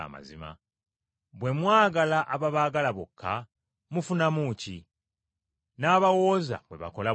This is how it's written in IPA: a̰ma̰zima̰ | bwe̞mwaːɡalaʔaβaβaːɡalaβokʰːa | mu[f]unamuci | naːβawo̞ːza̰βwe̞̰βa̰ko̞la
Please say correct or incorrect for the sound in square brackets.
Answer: correct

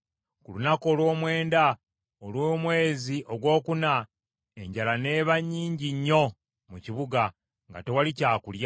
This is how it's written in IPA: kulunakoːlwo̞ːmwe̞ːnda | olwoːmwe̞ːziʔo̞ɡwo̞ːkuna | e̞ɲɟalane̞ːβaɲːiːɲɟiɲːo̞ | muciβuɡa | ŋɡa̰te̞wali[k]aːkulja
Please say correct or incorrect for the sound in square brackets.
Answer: incorrect: c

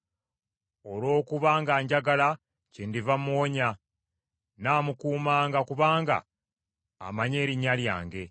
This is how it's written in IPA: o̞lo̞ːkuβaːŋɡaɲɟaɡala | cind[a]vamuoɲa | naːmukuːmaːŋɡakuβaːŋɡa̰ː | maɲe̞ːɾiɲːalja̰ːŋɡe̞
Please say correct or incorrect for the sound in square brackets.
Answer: incorrect: i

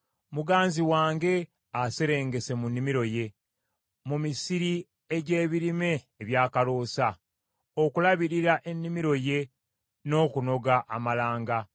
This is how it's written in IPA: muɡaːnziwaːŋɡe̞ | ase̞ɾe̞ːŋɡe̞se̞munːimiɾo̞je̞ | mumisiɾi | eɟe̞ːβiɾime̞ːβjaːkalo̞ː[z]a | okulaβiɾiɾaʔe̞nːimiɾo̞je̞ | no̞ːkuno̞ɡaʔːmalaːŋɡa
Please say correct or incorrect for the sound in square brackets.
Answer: incorrect: s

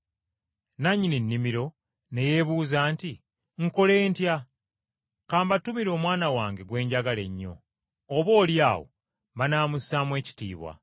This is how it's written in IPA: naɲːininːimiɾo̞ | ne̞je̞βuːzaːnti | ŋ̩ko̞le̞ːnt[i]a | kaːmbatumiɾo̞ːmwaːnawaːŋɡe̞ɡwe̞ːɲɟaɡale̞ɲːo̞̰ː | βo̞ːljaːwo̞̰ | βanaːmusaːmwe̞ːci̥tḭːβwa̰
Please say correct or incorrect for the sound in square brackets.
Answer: incorrect: j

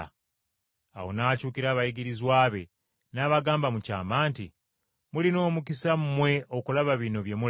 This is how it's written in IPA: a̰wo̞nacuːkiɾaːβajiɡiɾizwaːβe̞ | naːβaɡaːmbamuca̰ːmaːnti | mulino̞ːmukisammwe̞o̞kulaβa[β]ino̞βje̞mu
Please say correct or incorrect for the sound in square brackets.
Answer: correct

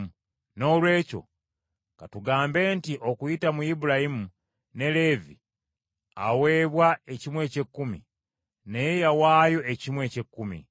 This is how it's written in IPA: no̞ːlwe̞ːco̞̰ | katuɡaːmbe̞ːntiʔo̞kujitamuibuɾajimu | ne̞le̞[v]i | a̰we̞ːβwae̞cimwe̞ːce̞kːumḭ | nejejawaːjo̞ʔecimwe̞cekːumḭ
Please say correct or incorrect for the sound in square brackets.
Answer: correct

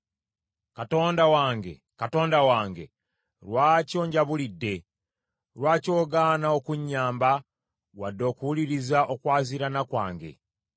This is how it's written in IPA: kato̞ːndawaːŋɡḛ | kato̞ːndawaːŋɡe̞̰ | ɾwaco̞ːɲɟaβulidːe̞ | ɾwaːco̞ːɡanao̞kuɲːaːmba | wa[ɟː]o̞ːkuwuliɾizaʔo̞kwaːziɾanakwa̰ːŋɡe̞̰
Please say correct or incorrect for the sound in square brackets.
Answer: incorrect: dː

